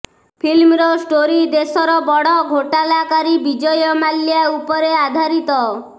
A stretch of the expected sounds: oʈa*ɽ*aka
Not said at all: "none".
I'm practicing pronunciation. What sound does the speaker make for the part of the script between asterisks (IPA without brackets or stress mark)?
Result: l